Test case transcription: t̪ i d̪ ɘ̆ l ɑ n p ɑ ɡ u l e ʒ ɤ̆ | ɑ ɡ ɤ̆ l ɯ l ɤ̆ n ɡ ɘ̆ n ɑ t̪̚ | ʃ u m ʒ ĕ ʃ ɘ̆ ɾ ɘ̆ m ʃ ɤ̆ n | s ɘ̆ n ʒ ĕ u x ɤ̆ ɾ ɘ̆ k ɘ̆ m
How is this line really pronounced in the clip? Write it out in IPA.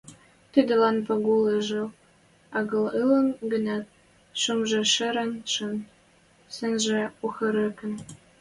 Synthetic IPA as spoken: t̪ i d̪ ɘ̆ l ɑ n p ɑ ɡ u l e ʒ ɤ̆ | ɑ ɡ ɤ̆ l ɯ l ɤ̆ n ɡ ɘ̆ n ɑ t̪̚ | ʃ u m ʒ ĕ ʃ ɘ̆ ɾ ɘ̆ n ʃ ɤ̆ n | s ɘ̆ n ʒ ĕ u x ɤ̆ ɾ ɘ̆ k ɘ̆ n